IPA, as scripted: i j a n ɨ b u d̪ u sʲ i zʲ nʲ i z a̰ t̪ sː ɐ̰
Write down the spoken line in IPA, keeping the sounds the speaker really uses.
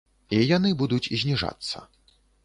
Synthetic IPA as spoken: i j a n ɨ b u d̪ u t͡sʲ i zʲ nʲ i ʐ a̰ t̪ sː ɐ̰